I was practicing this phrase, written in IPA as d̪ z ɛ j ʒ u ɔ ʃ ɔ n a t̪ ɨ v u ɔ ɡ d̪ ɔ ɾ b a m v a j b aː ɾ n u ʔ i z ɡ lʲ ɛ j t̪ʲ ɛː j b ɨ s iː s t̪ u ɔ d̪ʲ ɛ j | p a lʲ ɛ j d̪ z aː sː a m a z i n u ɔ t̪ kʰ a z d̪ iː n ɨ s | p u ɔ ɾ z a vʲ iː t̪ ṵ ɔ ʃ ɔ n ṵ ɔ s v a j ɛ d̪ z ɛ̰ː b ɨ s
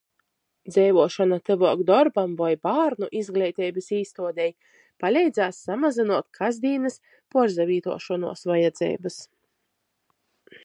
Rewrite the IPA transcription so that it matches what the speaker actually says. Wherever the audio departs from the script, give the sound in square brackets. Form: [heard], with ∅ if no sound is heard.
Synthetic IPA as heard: d̪ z ɛ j [v] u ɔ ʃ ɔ n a t̪ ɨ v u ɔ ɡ d̪ ɔ ɾ b a m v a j b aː ɾ n u ʔ i z ɡ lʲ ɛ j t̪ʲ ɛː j b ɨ s iː s t̪ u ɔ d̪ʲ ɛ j | p a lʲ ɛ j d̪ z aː sː a m a z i n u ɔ t̪ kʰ a z d̪ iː n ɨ s | p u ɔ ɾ z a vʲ iː t̪ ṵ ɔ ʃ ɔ n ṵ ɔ s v a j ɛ d̪ z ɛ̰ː b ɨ s